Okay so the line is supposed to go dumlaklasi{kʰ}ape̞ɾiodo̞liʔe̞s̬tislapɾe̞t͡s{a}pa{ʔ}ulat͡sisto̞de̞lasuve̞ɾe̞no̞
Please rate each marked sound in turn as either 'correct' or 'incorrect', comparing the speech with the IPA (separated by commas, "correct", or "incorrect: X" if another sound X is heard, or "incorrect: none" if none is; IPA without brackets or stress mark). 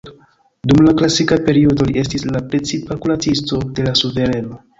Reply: incorrect: k, incorrect: i, incorrect: k